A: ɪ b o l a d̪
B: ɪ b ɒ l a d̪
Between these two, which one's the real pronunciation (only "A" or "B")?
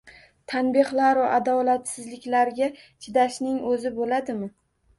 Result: A